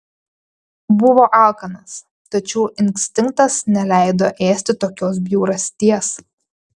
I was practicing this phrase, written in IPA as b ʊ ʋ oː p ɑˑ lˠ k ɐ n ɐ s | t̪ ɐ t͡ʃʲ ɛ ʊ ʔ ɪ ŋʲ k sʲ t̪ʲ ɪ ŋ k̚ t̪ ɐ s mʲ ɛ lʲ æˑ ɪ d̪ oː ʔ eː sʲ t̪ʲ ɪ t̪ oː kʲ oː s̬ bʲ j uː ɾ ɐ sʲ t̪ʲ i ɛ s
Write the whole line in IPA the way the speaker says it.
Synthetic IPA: b ʊ ʋ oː ʔ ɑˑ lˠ k ɐ n ɐ s | t̪ ɐ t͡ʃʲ ɛ ʊ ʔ ɪ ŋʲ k sʲ t̪ʲ ɪ ŋ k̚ t̪ ɐ s nʲ ɛ lʲ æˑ ɪ d̪ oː ʔ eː sʲ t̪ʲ ɪ t̪ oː kʲ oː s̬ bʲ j uː ɾ ɐ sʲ t̪ʲ i ɛ s